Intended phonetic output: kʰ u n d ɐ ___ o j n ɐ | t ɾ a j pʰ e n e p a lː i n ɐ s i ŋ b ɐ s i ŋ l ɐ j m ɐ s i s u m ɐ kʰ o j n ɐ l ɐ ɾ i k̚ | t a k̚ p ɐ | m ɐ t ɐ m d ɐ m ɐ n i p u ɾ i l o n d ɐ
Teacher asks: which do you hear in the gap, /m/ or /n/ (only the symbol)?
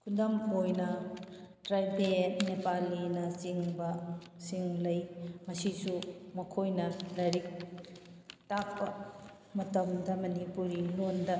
m